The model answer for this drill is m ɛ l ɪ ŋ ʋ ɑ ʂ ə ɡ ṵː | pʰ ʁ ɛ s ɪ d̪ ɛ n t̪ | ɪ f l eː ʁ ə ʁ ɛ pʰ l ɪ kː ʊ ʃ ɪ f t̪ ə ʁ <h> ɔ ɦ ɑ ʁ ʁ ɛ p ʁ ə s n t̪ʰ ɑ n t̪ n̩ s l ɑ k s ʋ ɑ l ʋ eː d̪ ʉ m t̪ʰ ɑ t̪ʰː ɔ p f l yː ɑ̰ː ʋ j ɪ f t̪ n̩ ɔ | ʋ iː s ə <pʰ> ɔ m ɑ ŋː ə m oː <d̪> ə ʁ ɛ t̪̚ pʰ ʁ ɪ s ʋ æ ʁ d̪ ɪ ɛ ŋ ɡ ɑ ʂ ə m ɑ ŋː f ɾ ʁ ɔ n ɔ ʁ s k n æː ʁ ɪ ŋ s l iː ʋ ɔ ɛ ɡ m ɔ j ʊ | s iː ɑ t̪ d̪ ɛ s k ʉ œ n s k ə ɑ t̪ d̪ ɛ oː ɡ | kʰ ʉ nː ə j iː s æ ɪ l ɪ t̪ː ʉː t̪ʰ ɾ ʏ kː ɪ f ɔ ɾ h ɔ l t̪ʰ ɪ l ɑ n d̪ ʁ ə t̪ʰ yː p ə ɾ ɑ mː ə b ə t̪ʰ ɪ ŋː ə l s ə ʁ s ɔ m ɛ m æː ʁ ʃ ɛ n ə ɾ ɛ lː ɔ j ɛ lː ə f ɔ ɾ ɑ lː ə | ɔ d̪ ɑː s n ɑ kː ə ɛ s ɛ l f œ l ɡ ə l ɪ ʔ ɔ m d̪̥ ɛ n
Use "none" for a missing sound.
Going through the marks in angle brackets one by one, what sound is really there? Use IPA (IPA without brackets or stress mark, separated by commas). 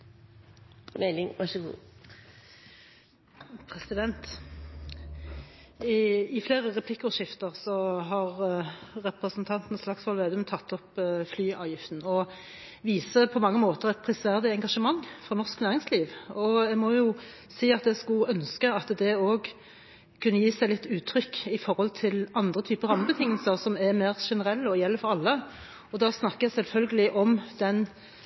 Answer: s, pʰ, t̪